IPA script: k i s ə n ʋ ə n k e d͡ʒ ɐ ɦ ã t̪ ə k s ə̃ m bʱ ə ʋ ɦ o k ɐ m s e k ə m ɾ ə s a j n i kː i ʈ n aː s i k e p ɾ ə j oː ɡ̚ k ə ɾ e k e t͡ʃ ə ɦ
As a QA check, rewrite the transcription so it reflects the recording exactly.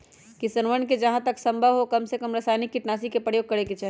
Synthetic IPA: k i s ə n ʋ ə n k e d͡ʒ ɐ ɦ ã t̪ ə k s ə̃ m bʱ ə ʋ ɦ o k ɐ m s e k ə m ɾ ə s a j n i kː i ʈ n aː s i k e p ɾ ə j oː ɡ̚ k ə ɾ e k e t͡ʃ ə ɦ